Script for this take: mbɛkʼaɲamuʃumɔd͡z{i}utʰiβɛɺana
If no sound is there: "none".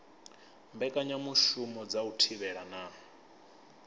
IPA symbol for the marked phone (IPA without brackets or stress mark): a